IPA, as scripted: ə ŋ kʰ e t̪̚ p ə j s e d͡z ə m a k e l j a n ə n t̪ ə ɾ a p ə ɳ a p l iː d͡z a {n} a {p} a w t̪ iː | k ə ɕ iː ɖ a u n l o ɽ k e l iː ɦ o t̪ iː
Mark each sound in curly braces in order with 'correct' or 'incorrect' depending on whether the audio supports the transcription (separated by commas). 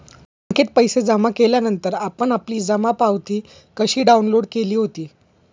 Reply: incorrect, correct